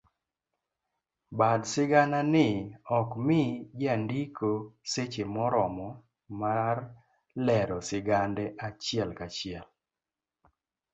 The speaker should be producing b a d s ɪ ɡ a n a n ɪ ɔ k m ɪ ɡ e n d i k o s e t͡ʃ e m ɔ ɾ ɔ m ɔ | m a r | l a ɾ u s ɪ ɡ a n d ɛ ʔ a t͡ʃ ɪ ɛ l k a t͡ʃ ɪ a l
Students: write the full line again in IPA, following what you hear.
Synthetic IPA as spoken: b a d s ɪ ɡ a n a n ɪ ɔ k m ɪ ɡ a n d i k o s e t͡ʃ e m ɔ ɾ ɔ m ɔ | m a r | l ɛ ɾ ɔ s ɪ ɡ a n d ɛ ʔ a t͡ʃ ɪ ɛ l k a t͡ʃ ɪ ɛ l